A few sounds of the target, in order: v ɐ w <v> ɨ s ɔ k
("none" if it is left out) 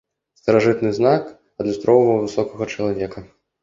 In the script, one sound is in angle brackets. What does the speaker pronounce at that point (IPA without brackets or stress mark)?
v